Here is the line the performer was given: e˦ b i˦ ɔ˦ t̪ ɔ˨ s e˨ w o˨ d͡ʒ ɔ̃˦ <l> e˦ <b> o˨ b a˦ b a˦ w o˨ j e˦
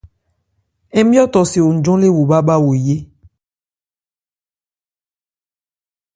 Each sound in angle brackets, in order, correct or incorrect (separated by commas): correct, incorrect